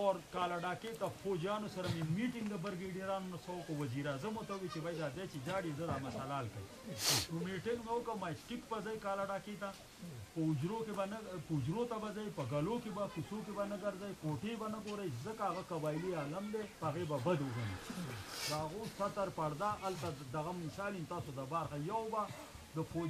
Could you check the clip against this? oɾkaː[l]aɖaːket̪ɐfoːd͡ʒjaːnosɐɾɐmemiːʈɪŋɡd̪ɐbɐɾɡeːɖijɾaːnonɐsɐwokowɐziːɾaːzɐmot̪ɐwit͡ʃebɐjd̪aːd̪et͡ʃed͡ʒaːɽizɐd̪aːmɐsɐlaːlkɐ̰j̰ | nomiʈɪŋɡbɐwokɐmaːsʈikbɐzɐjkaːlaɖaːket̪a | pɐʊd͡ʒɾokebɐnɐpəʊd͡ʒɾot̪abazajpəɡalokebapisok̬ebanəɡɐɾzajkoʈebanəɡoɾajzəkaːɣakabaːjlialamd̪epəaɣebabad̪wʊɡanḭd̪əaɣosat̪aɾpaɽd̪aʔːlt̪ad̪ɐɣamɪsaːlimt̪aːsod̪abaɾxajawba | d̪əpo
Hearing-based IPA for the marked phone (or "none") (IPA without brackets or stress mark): l